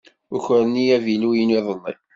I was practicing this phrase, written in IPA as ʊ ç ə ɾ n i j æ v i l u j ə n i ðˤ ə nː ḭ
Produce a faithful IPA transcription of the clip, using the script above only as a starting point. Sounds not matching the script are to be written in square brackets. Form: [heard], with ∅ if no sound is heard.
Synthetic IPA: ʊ ç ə ɾ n i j æ v i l u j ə n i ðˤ ə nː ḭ

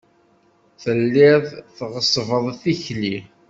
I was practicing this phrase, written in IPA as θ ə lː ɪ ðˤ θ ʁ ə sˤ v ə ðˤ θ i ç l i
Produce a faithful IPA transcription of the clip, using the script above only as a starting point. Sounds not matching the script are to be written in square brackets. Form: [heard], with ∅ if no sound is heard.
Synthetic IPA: θ ə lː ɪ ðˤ θ ʁ ə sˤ v ə ðˤ θ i ç l i

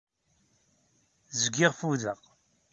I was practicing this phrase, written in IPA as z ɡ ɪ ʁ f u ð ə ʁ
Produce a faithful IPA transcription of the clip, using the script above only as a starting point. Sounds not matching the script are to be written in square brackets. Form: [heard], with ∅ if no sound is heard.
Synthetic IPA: z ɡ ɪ ʁ f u ð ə ʁ

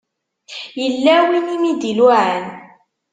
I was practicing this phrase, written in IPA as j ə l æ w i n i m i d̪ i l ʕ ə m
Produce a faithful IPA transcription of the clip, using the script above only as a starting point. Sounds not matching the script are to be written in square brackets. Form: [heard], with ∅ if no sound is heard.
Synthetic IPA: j ə [lː] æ w i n i m i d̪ i l ʕ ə [n]

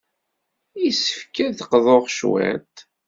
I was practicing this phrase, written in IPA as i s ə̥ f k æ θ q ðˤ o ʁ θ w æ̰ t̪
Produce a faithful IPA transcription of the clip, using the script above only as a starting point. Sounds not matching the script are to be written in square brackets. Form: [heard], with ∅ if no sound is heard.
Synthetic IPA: i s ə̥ f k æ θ q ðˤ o ʁ [ʃ] w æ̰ t̪

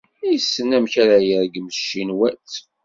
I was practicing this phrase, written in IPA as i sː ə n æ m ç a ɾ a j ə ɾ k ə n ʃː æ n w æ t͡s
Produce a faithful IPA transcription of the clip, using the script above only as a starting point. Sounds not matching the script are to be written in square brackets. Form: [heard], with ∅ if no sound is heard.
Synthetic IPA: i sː ə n æ m ç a ɾ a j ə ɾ [ɡ] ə [m] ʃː [i] n w æ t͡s

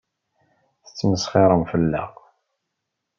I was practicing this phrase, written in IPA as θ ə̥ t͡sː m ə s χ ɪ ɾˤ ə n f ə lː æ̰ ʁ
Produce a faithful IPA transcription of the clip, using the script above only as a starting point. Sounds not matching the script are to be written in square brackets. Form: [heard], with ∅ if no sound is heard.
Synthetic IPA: θ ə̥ t͡sː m ə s χ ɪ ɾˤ ə [m] f ə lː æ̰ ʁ

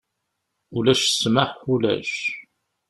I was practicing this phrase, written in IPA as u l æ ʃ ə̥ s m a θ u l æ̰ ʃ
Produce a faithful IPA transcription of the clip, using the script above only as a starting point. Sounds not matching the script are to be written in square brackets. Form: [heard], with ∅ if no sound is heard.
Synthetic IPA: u l æ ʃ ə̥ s m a [ħ] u l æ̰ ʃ

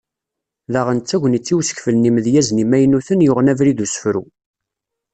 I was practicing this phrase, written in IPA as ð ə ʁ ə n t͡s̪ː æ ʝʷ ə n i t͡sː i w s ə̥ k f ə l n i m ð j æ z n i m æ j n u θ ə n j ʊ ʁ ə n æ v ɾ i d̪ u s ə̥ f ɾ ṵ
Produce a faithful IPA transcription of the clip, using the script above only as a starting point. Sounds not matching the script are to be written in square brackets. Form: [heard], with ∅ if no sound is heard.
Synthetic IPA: ð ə ʁ ə n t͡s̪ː æ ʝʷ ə n i t͡sː i w s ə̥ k f ə l n i m ð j æ z n i m æ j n u θ ə n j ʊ ʁ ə n æ v ɾ i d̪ u s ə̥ f ɾ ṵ

